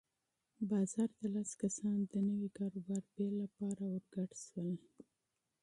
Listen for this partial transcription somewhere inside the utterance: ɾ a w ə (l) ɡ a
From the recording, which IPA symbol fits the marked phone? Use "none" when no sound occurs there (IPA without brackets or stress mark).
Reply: ɾ